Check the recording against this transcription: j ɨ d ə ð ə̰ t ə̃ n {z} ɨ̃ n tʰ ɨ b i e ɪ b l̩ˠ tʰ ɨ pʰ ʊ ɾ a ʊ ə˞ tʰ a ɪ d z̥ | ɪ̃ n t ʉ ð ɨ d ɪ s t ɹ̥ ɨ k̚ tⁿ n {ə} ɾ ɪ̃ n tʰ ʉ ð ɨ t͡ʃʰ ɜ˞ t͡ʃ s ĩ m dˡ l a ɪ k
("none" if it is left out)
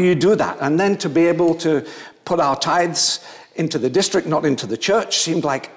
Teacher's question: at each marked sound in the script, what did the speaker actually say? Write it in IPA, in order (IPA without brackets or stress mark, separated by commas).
ð, ə